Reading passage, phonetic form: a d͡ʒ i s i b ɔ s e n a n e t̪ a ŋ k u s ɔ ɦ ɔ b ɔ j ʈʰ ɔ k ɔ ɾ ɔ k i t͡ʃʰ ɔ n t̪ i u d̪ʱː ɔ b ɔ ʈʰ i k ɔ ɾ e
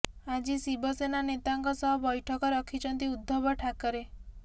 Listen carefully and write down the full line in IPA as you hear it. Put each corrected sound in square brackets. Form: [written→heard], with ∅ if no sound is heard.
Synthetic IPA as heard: a d͡ʒ i s i b ɔ s e n a n e t̪ a ŋ k [u→ɔ] s ɔ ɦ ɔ b ɔ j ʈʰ ɔ k ɔ ɾ ɔ [k→kʰ] i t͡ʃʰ ɔ n t̪ i u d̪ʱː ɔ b ɔ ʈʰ [i→a] k ɔ ɾ e

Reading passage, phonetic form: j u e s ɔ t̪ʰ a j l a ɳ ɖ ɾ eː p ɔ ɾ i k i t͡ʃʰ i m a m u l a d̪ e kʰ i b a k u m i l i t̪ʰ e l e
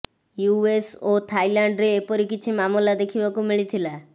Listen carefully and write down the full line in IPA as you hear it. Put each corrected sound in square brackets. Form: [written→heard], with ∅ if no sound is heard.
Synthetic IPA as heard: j u e s [ɔ→o] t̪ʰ a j l a ɳ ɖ ɾ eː p ɔ ɾ i k i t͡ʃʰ i m a m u l a d̪ e kʰ i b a k u m i [l→ɭ] i t̪ʰ [e→i] l [e→a]

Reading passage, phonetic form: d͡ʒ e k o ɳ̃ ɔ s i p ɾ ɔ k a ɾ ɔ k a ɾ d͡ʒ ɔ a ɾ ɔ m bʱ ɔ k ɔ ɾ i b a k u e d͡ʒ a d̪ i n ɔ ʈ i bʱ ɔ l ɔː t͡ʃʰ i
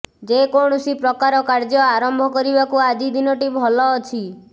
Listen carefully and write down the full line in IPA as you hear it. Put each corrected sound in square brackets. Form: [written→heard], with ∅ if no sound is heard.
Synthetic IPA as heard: d͡ʒ e k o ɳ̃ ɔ s i p ɾ ɔ k a ɾ ɔ k a ɾ d͡ʒ ɔ a ɾ ɔ m bʱ ɔ k ɔ ɾ i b a k u [e→a] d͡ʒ [a→i] d̪ i n ɔ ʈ i bʱ ɔ l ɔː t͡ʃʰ i

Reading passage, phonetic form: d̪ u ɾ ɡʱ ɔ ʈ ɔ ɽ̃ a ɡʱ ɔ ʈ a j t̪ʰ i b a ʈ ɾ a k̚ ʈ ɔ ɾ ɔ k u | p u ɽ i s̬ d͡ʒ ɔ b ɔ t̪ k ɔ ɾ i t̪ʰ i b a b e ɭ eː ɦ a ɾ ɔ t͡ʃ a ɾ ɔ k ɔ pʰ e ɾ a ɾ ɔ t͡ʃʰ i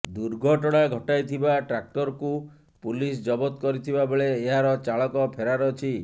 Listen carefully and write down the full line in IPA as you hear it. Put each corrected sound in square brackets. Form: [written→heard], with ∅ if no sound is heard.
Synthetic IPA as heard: d̪ u ɾ ɡʱ ɔ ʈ ɔ ɽ̃ a ɡʱ ɔ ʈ a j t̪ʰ i b a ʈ ɾ a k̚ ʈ ɔ ɾ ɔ k u | p u [ɽ→l] i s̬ d͡ʒ ɔ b ɔ t̪ k ɔ ɾ i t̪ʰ i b a b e ɭ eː ɦ a ɾ ɔ t͡ʃ a [ɾ→ɭ] ɔ k ɔ pʰ e ɾ a ɾ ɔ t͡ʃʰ i

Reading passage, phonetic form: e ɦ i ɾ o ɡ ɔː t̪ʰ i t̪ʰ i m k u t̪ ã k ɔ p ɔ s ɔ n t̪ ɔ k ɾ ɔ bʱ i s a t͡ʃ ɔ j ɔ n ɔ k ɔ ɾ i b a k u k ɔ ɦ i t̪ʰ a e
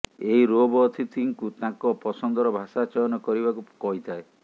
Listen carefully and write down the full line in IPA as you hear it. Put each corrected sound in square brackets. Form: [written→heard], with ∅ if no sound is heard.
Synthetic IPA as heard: e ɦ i ɾ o [ɡ→b] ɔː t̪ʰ i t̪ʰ i [m→ŋ] k u t̪ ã k ɔ p ɔ s ɔ n [t̪→d̪] ɔ [k→∅] ɾ ɔ bʱ [i→a] s a t͡ʃ ɔ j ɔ n ɔ k ɔ ɾ i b a k u k ɔ ɦ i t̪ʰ a e

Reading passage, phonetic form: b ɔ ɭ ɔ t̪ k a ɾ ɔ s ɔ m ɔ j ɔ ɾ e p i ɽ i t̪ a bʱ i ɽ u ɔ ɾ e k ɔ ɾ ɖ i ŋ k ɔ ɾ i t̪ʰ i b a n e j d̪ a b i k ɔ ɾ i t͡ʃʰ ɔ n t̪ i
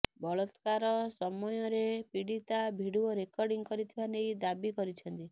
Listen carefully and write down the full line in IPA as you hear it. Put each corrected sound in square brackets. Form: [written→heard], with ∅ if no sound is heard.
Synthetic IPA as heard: b ɔ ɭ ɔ t̪ k a ɾ ɔ s ɔ m ɔ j ɔ ɾ e p i ɽ i t̪ a bʱ i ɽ u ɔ ɾ e k ɔ ɾ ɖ i ŋ k ɔ ɾ i t̪ʰ i b a n e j d̪ a b i k ɔ ɾ i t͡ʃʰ ɔ n t̪ i

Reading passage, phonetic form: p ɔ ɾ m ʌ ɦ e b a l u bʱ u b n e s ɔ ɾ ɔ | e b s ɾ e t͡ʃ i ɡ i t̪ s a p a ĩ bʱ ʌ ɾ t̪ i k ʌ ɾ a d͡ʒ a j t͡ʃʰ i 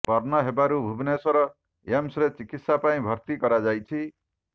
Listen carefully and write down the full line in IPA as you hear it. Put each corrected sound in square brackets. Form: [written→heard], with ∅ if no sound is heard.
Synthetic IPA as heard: p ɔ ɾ [m→n] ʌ ɦ e b a [l→ɾ] u bʱ u b n e s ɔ ɾ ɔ | e [b→m] s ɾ e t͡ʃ i [ɡ→k] i t̪ s a p a ĩ bʱ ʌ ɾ t̪ i k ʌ ɾ a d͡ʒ a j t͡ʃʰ i

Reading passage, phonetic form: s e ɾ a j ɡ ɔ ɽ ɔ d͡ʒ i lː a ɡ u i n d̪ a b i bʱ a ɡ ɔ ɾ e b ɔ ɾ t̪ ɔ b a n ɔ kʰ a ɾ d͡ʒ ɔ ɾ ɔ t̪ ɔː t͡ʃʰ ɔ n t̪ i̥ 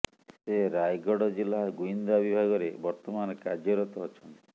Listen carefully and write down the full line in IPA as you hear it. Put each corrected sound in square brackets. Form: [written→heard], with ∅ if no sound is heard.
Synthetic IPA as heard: s e ɾ a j ɡ ɔ ɽ ɔ d͡ʒ i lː a ɡ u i n d̪ a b i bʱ a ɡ ɔ ɾ e b ɔ ɾ t̪ ɔ [b→m] a n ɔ [kʰ→k] a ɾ d͡ʒ ɔ ɾ ɔ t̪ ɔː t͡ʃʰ ɔ n t̪ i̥

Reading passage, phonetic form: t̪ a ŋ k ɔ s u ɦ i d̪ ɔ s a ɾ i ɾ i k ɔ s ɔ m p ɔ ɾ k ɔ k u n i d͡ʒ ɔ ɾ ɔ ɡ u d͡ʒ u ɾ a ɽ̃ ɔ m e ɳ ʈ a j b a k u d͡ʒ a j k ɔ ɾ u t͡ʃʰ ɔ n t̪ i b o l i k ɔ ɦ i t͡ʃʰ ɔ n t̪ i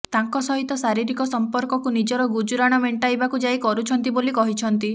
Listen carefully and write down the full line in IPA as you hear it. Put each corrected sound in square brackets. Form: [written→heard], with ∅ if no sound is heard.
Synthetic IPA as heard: t̪ a ŋ k ɔ s [u→ɔ] ɦ i [d̪→t̪] ɔ s a ɾ i ɾ i k ɔ s ɔ m p ɔ ɾ k ɔ k u n i d͡ʒ ɔ ɾ ɔ ɡ u d͡ʒ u ɾ a ɽ̃ ɔ m e ɳ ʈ a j b a k u d͡ʒ a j k ɔ ɾ u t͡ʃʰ ɔ n t̪ i b o l i k ɔ ɦ i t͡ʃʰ ɔ n t̪ i

